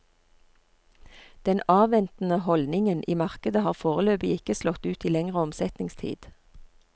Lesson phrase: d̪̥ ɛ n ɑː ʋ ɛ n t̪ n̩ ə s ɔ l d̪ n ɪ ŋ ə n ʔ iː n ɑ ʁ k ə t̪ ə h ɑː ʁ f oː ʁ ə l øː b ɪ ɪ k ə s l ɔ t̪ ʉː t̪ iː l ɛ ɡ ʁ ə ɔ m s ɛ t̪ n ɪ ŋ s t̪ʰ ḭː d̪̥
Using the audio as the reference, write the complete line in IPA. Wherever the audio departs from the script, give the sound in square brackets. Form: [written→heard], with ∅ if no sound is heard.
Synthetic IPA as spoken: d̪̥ ɛ n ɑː ʋ ɛ n t̪ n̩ ə [s→h] ɔ l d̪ n ɪ ŋ ə n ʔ iː [n→m] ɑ ʁ k ə [t̪→d̪] ə h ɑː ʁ f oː ʁ ə l øː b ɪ ɪ k ə s l ɔ t̪ ʉː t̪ iː l ɛ [ɡ→ŋ] ʁ ə ɔ m s ɛ t̪ n ɪ ŋ s t̪ʰ ḭː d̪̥

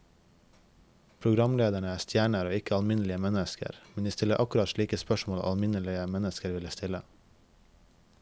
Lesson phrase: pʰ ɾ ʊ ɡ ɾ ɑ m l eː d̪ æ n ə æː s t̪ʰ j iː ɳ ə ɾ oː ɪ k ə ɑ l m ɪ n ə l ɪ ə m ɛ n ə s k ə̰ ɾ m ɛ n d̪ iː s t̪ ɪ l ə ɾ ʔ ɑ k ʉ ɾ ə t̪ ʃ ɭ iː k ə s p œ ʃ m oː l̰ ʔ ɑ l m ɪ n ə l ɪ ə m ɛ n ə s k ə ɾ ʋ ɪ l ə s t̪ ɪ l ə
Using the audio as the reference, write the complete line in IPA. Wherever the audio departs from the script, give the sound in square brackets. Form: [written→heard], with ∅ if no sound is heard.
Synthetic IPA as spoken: pʰ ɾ ʊ ɡ ɾ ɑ m l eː d̪ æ [n→ɳ] ə æː s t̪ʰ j [iː→æː] ɳ ə ɾ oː ɪ k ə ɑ l m ɪ n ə l ɪ ə m ɛ n ə s k ə̰ ɾ m ɛ n d̪ iː s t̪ ɪ l ə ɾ ʔ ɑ k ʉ ɾ [ə→ɑ] t̪ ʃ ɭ iː k ə s p œ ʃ m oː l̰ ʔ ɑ l m ɪ n ə l ɪ ə m ɛ n ə s k ə ɾ ʋ ɪ l ə s t̪ ɪ l ə

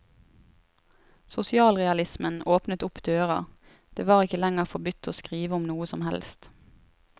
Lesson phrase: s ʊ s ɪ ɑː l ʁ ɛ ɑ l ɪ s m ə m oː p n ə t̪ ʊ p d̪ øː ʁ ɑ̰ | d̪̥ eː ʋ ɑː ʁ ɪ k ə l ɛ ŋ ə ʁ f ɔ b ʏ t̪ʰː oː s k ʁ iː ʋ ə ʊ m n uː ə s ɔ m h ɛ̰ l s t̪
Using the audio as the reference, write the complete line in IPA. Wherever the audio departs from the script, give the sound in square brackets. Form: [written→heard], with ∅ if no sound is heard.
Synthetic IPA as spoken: s ʊ s ɪ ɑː l ʁ ɛ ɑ l ɪ s m ə [m→n] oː p n ə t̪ ʊ p d̪ øː ʁ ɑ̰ | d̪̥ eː ʋ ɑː ʁ ɪ k ə l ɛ ŋ ə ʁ f ɔ b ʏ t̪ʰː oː s k ʁ iː ʋ ə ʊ m n uː ə s ɔ m h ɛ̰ l s t̪

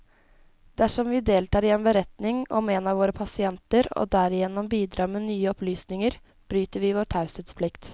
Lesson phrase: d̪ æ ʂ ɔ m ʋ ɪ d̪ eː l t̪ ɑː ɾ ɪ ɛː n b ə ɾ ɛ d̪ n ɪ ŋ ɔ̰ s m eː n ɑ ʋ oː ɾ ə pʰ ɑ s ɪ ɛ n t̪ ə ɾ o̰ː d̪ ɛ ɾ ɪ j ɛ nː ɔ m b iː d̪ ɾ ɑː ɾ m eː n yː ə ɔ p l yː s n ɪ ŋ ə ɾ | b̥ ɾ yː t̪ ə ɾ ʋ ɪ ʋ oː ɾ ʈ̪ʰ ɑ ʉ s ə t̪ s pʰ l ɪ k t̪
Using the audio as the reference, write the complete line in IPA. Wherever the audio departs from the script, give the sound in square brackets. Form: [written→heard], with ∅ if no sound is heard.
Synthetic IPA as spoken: d̪ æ ʂ ɔ m ʋ ɪ d̪ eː l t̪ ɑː ɾ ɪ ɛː n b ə ɾ ɛ [d̪→t̪] n ɪ ŋ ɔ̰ [s→∅] m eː n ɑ ʋ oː ɾ ə pʰ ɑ s ɪ ɛ n t̪ ə ɾ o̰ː d̪ [ɛ→æ] ɾ ɪ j ɛ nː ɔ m b iː d̪ ɾ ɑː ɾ m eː n yː ə ɔ p l yː s n ɪ ŋ ə ɾ | b̥ ɾ yː t̪ ə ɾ ʋ ɪ ʋ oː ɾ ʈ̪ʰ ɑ ʉ s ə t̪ s pʰ l ɪ k t̪

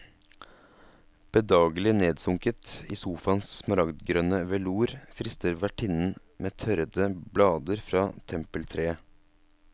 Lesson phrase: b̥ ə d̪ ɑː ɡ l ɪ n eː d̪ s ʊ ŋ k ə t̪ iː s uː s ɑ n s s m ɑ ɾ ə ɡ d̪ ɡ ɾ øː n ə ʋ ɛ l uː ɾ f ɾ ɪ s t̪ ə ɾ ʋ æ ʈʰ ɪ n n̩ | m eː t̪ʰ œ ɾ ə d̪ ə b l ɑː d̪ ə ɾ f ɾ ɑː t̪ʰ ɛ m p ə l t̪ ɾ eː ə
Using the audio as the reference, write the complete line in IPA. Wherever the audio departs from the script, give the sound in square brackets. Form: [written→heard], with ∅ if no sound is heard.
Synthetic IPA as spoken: b̥ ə d̪ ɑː ɡ l ɪ n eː d̪ s ʊ ŋ k ə t̪ iː s uː [s→f] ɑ n s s m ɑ ɾ [ə→ɑ] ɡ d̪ ɡ ɾ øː n ə ʋ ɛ l uː ɾ f ɾ ɪ s t̪ ə ɾ ʋ æ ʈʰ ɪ n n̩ | m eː t̪ʰ œ ɾ ə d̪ ə b l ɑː d̪ ə ɾ f ɾ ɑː t̪ʰ ɛ m p ə l [t̪→t̪ʰ] ɾ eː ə

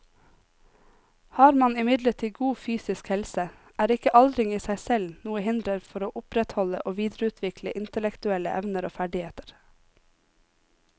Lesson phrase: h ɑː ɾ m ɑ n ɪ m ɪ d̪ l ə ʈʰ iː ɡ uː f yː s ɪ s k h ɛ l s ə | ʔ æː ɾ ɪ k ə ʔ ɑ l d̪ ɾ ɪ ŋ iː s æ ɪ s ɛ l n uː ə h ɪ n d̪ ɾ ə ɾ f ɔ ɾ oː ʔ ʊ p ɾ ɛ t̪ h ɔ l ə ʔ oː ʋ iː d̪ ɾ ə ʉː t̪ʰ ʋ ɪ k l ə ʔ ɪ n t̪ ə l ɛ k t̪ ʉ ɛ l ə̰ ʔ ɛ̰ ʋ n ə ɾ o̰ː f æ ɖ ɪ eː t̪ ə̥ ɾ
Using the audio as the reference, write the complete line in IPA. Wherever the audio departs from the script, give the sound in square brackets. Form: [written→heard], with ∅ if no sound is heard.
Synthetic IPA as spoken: h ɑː ɾ m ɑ n ɪ m ɪ d̪ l ə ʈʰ iː ɡ uː f yː s ɪ s k h ɛ l s ə | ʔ æː ɾ ɪ k ə ʔ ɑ l d̪ ɾ ɪ ŋ iː s æ ɪ s ɛ l n uː ə h ɪ n d̪ ɾ ə ɾ f ɔ ɾ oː ʔ ʊ p ɾ ɛ t̪ h ɔ l ə ʔ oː ʋ iː d̪ ɾ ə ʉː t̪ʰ ʋ ɪ k l ə ʔ ɪ n t̪ ə l ɛ k t̪ ʉ ɛ l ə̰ ʔ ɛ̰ ʋ n ə ɾ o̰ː f æ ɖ ɪ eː t̪ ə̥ ɾ

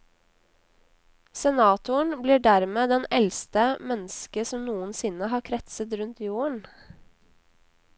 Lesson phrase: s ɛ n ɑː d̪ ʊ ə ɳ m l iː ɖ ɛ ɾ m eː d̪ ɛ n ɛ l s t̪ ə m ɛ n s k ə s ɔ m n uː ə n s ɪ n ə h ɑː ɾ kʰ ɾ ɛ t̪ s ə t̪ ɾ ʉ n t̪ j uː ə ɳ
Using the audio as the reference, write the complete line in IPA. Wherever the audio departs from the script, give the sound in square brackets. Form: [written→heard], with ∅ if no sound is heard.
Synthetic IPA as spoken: s ɛ n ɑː [d̪→t̪] ʊ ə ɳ [m→b] l iː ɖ [ɛ→æ] ɾ m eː d̪ ɛ n ɛ l s t̪ ə m ɛ n s k ə s ɔ m n uː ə n s ɪ n ə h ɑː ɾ kʰ ɾ ɛ t̪ s ə t̪ ɾ ʉ n t̪ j uː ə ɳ

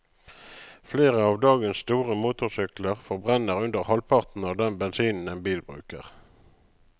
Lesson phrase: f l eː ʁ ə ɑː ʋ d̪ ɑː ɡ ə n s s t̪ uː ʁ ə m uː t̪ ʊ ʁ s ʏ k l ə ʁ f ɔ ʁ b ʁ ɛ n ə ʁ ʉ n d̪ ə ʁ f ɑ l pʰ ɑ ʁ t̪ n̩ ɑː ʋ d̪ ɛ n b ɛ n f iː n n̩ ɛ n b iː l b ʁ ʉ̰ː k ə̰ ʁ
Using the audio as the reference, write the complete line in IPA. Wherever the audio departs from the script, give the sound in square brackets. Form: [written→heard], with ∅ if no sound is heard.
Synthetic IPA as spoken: f l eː ʁ ə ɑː ʋ d̪ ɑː ɡ ə n s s t̪ uː ʁ ə m uː t̪ ʊ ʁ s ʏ k l ə ʁ f ɔ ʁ b ʁ ɛ n ə ʁ ʉ n d̪ ə ʁ [f→h] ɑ l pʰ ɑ ʁ t̪ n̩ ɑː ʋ d̪ ɛ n b ɛ n [f→s] iː n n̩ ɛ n b iː l b ʁ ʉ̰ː k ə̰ ʁ

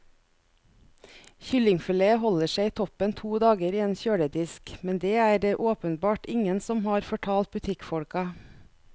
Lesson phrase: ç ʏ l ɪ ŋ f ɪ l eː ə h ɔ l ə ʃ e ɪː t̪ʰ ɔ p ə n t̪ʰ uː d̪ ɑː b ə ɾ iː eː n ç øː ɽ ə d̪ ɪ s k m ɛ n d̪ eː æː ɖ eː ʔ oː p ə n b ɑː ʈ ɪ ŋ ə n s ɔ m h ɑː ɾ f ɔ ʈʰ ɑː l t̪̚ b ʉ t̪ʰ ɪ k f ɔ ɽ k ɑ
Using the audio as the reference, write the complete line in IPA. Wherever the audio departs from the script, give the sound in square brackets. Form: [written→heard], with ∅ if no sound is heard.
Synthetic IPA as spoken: ç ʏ l ɪ ŋ f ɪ l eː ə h ɔ l ə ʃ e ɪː t̪ʰ ɔ p ə n t̪ʰ uː d̪ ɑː [b→ɡ] ə ɾ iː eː n ç øː ɽ ə d̪ ɪ s k m ɛ n d̪ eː æː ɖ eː ʔ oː p ə n b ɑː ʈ ɪ ŋ ə n s ɔ m h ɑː ɾ f ɔ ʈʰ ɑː l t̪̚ b ʉ t̪ʰ ɪ k f ɔ ɽ k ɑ

